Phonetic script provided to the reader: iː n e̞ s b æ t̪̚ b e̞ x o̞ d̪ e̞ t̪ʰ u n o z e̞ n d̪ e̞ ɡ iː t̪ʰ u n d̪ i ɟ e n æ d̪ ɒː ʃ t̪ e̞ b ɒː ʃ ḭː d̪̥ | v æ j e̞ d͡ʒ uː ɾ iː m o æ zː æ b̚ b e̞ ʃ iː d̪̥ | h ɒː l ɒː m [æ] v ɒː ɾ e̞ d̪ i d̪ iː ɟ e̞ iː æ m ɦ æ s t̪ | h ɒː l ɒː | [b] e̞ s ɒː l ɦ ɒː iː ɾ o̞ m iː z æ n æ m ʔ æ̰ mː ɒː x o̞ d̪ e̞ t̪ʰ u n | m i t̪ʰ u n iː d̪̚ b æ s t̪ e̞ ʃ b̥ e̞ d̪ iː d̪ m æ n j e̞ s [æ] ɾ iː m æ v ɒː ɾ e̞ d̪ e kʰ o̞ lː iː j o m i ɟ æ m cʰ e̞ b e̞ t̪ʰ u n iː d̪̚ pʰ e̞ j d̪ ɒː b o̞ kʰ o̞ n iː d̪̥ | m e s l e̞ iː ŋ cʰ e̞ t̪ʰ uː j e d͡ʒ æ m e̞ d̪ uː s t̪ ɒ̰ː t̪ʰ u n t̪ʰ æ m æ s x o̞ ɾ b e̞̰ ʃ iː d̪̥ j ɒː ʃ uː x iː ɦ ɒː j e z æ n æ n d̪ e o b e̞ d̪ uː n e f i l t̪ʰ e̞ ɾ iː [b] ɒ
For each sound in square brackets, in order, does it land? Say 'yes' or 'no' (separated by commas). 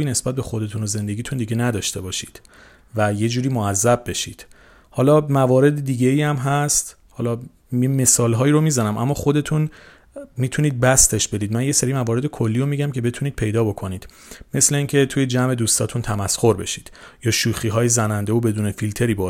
yes, no, no, yes